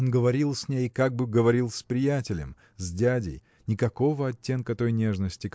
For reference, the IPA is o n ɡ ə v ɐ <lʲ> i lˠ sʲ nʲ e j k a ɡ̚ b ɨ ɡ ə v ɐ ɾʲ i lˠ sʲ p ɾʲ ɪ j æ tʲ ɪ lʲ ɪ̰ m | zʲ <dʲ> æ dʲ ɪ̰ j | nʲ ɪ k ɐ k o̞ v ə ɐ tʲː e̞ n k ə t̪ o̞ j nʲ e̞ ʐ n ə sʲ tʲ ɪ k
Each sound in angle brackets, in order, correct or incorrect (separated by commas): incorrect, correct